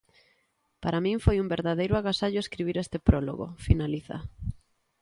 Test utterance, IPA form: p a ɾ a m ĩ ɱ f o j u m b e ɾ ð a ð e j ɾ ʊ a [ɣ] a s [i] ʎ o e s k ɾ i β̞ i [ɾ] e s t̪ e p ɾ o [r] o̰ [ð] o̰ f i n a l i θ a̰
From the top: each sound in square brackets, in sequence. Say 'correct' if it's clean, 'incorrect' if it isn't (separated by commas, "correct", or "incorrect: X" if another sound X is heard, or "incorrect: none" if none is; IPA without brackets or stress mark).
correct, incorrect: a, correct, incorrect: l, incorrect: ɣ